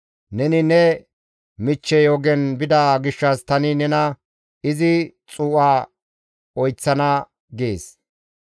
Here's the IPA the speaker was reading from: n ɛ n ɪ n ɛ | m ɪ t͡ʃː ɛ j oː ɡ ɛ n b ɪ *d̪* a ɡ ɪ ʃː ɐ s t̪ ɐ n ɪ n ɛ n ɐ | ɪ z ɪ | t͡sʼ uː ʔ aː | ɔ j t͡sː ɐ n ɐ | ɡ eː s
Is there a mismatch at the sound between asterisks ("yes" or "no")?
no